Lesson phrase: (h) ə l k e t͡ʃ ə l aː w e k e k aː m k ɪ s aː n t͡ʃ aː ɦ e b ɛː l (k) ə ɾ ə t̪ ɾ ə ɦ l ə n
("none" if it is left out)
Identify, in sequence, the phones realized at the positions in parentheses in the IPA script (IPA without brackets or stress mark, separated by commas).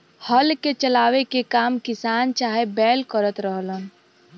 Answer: h, k